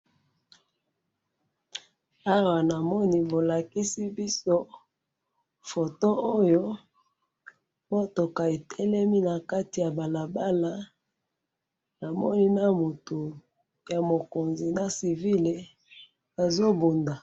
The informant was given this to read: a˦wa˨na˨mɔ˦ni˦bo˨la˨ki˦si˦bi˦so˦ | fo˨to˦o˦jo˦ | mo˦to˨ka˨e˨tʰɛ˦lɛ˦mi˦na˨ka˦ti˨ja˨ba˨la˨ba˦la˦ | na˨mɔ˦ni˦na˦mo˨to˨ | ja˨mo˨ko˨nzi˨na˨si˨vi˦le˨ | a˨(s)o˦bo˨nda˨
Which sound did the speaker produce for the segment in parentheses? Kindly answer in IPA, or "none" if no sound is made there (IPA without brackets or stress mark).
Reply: z